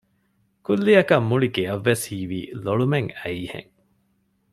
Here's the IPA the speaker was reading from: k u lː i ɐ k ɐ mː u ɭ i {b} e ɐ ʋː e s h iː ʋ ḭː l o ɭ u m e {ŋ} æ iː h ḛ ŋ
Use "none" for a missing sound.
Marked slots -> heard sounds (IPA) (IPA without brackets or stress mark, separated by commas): ɡ, ŋ